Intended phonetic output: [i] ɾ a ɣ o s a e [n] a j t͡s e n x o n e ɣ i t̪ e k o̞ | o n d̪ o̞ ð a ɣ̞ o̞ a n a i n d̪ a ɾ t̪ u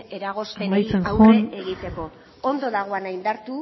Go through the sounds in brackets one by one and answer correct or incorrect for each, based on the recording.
incorrect: e, incorrect: m

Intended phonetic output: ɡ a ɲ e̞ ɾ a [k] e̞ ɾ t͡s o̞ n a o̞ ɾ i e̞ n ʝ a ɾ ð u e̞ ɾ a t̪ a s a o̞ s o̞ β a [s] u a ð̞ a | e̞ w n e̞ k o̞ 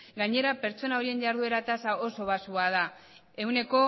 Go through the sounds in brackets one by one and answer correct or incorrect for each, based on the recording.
incorrect: p, correct

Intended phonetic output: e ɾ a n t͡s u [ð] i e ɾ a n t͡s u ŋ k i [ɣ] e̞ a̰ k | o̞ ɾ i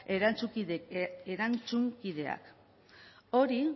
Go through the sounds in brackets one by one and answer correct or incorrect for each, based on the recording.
incorrect: none, incorrect: ð

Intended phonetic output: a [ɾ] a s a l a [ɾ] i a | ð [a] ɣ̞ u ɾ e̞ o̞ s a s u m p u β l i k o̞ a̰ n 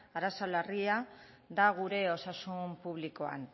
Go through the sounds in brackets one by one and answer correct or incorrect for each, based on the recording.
correct, incorrect: r, correct

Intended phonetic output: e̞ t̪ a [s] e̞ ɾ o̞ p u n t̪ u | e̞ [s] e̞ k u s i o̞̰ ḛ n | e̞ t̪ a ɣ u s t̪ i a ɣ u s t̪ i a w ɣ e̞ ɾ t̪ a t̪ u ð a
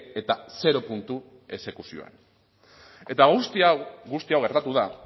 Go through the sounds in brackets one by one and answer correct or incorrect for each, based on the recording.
correct, correct

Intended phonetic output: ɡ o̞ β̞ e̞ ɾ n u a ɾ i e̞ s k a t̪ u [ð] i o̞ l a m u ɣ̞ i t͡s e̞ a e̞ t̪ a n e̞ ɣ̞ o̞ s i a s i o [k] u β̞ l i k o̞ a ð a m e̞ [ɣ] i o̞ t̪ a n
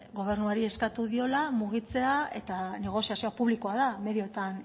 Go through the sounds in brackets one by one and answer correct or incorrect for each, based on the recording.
correct, incorrect: p, incorrect: ð

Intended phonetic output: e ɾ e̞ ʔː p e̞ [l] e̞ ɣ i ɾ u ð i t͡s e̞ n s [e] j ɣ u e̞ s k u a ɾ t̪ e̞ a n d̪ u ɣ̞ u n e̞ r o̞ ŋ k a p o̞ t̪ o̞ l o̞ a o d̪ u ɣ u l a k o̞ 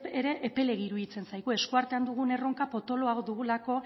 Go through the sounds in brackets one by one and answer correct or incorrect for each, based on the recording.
correct, incorrect: a

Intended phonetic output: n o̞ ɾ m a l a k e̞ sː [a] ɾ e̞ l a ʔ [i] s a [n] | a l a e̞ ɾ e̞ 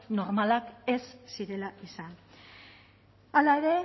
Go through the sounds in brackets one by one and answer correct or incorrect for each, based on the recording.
incorrect: i, correct, correct

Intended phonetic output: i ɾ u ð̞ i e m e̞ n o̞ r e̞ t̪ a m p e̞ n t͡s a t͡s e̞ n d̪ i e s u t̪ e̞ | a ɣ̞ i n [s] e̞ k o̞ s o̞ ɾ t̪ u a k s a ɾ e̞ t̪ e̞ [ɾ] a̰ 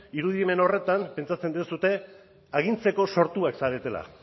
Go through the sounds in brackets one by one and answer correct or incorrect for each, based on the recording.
incorrect: t͡s, incorrect: l

